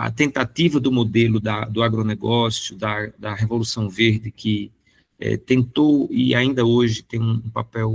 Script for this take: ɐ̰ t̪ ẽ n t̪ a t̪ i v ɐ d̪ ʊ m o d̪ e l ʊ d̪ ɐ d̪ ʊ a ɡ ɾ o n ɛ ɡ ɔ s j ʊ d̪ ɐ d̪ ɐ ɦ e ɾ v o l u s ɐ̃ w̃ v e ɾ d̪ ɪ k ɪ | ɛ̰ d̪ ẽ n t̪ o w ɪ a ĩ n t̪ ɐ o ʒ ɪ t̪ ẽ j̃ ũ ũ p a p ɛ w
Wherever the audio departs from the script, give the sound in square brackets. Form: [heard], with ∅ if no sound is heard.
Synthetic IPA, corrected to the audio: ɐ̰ t̪ ẽ n t̪ a t̪ i v ɐ d̪ ʊ m o d̪ e l ʊ d̪ ɐ d̪ ʊ a ɡ ɾ o n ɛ ɡ ɔ s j ʊ d̪ ɐ d̪ ɐ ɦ e [∅] v o l u s ɐ̃ w̃ v e ɾ d̪ ɪ k ɪ | ɛ̰ [t̪] ẽ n t̪ o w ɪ a ĩ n [d̪] ɐ o ʒ ɪ t̪ ẽ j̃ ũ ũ p a p ɛ w